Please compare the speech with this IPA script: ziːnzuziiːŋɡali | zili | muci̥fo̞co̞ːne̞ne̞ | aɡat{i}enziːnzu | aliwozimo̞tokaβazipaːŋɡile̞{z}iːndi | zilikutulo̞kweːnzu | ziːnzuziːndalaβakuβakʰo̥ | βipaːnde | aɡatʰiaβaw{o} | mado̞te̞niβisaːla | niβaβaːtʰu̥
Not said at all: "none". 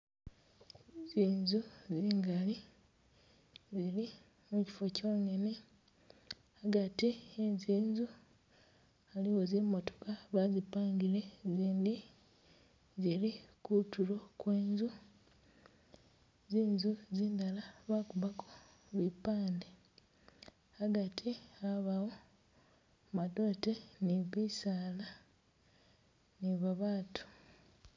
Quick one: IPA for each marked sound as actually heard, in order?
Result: i, z, o

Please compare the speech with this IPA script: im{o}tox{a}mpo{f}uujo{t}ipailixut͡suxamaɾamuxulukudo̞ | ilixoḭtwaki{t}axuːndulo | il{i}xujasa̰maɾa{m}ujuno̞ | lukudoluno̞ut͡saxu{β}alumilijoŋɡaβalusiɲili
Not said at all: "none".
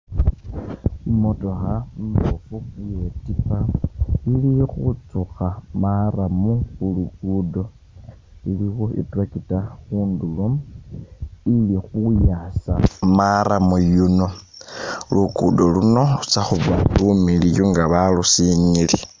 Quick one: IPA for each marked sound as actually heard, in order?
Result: o, a, f, t, t, i, m, β

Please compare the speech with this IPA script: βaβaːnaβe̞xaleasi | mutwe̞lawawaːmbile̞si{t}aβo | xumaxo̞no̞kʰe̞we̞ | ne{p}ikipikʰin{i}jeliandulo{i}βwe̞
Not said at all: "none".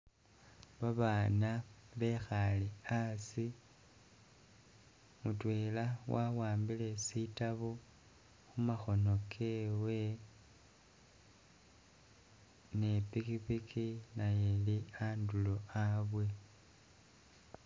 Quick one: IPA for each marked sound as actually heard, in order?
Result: t, p, a, a

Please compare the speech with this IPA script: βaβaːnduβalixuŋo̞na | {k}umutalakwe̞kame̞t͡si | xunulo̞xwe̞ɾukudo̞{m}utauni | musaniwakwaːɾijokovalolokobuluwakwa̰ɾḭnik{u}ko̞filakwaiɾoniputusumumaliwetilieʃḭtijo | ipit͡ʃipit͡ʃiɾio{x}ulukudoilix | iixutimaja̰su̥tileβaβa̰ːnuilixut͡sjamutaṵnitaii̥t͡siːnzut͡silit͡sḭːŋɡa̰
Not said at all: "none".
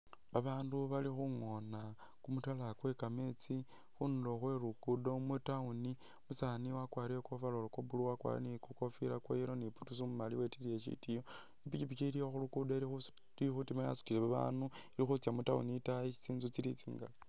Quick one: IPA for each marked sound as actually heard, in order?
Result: k, m, u, x

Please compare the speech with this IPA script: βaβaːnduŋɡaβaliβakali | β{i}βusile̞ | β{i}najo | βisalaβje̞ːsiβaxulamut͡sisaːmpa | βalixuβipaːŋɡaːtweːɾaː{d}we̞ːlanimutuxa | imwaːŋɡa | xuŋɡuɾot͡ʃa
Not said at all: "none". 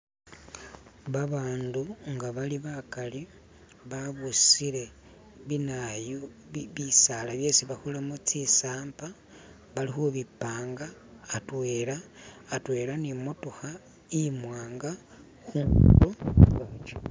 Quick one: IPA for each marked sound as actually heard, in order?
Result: a, i, t

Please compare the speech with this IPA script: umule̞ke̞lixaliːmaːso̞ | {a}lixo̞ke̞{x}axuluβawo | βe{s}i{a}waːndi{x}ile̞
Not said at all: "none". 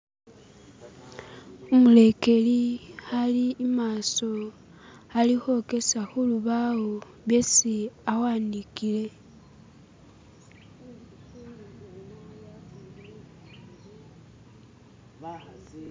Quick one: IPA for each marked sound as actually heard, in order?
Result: a, s, s, a, k

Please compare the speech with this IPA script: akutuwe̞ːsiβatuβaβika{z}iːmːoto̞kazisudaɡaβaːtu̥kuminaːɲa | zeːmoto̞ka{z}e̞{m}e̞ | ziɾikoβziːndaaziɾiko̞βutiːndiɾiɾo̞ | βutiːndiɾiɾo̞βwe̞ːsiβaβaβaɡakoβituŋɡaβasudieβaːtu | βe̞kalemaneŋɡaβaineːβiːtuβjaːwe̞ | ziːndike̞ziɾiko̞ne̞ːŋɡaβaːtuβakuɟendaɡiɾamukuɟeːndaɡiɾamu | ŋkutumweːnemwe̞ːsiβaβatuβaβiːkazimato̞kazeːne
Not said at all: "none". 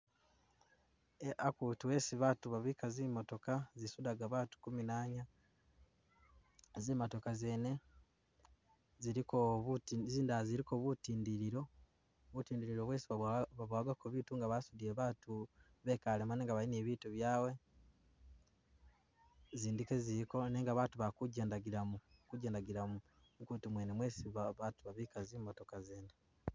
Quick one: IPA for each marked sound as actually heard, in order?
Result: z, z, n

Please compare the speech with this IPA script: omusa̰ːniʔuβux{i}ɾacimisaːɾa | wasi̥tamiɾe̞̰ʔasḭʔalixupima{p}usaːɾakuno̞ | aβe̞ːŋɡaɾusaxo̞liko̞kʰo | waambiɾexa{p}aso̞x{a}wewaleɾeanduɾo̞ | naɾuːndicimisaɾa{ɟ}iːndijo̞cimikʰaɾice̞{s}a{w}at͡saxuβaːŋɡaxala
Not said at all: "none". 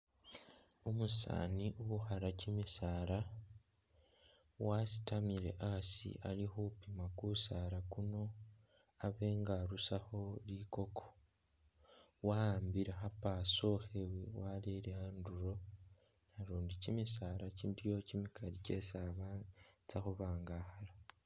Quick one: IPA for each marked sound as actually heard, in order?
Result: a, k, p, e, c, s, β

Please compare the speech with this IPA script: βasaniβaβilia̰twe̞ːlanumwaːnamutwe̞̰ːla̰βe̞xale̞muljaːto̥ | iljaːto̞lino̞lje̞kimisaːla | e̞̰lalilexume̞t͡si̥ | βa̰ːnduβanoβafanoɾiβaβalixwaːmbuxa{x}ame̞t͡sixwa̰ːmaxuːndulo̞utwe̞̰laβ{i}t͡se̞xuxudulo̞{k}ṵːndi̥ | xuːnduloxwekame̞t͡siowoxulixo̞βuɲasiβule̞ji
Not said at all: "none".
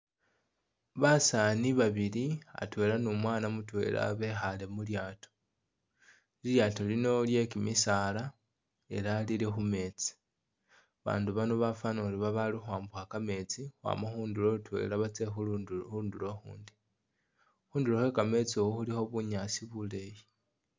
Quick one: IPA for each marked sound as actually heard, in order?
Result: k, a, x

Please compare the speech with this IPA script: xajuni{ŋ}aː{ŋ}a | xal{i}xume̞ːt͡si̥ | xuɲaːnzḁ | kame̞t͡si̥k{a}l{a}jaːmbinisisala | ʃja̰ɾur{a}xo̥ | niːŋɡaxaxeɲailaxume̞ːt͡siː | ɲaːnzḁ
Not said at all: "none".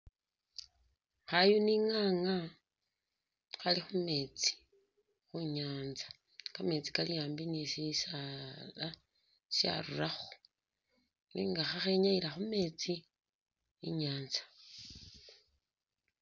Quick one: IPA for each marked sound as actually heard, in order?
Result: ŋ, ŋ, i, a, i, a

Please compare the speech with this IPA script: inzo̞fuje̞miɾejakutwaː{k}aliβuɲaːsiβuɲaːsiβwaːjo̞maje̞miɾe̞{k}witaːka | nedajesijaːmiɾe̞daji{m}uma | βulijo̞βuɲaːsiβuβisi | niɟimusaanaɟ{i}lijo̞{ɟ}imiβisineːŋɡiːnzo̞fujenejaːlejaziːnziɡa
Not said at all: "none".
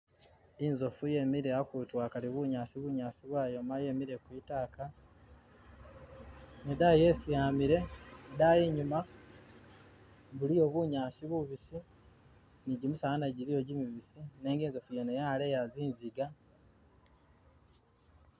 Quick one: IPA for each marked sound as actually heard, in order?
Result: k, k, ɲ, i, ɟ

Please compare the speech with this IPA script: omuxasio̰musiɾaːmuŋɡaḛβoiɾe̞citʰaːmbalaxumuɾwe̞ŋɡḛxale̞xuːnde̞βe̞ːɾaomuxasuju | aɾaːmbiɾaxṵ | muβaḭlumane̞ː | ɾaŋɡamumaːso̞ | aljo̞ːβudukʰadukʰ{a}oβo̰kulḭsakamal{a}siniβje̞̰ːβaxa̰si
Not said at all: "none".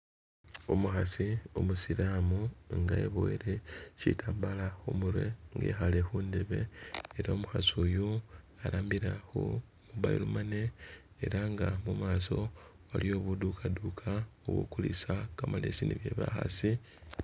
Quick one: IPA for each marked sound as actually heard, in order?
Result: a, e

